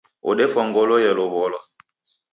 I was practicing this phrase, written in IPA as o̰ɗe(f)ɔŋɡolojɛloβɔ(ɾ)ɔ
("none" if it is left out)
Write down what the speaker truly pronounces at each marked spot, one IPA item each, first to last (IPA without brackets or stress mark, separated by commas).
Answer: f, l